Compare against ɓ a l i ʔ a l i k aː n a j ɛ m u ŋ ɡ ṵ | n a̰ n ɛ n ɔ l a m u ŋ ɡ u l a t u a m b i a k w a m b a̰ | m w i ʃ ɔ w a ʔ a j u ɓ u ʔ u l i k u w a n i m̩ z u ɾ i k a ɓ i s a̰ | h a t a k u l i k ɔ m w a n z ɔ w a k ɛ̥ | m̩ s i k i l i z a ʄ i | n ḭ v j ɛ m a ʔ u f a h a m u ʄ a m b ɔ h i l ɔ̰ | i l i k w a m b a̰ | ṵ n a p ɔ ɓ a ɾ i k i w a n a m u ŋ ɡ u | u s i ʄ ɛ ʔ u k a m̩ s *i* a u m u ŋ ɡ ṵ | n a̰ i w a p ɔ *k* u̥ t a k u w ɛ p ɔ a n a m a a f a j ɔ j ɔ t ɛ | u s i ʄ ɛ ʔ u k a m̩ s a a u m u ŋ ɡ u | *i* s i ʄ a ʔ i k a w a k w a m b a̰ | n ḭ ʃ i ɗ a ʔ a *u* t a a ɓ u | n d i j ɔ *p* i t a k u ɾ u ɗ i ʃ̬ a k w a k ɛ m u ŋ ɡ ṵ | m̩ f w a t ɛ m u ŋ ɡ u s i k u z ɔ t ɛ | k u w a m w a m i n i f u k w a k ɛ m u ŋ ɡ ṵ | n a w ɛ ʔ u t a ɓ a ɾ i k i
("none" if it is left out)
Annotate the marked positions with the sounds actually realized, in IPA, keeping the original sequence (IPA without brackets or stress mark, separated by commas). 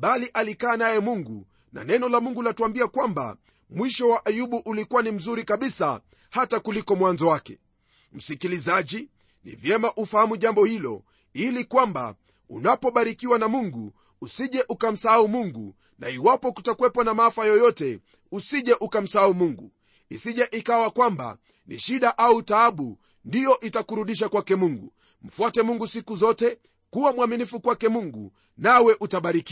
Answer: a, k, i, u, ʔ